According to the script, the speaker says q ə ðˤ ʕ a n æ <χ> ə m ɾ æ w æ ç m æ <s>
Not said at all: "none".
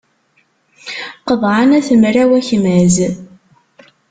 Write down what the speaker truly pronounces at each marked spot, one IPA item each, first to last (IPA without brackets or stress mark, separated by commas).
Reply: θ, z